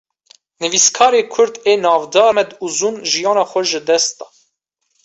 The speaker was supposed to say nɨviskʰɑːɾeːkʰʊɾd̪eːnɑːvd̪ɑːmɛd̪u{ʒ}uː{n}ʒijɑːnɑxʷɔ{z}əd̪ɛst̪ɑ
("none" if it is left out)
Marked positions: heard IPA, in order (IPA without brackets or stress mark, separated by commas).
z, n, ʒ